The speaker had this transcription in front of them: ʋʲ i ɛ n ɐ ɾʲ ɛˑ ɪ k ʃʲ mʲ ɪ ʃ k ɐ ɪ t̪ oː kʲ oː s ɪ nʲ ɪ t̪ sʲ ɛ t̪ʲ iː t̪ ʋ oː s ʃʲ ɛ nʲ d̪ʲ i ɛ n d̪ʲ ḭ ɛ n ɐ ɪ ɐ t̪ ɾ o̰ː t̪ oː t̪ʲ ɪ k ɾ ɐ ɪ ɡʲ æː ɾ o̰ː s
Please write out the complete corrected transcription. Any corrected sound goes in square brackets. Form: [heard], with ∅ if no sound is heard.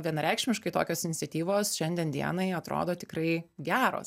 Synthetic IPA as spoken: ʋʲ i ɛ n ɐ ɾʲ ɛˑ ɪ k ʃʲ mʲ ɪ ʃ k ɐ ɪ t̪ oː kʲ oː s ɪ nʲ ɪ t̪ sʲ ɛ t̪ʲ iː [∅] ʋ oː s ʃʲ ɛ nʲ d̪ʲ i ɛ n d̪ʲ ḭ ɛ n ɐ ɪ ɐ t̪ ɾ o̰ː [d̪] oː t̪ʲ ɪ k ɾ ɐ ɪ ɡʲ æː ɾ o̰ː s